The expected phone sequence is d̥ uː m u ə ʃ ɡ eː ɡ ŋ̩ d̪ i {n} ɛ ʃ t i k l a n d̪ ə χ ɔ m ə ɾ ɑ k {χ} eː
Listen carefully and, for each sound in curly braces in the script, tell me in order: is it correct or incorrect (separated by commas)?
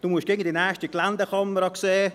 correct, incorrect